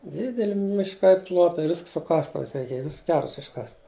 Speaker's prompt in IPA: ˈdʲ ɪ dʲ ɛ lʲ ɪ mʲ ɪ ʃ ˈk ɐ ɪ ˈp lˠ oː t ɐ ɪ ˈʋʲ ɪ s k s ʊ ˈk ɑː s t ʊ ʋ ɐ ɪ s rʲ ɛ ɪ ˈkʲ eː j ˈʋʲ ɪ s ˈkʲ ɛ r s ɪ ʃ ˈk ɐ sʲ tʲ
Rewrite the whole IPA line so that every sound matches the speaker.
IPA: ˈdʲ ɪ dʲ ɛ lʲ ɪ mʲ ɪ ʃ ˈk ɐ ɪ ˈp lˠ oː t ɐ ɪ ˈʋʲ ɪ s k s ʊ ˈk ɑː s t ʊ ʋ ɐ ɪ s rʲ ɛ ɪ ˈkʲ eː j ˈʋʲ ɪ s ˈkʲ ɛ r s ɪ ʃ ˈk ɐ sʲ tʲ